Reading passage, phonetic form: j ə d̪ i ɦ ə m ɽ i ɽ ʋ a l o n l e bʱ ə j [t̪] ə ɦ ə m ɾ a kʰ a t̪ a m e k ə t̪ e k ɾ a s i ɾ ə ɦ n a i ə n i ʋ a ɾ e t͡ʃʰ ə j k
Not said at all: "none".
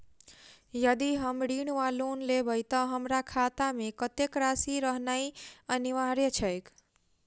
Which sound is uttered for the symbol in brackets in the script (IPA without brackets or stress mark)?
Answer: t̪